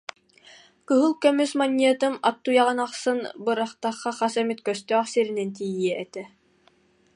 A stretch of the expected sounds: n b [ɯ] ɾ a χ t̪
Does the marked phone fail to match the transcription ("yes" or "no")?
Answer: no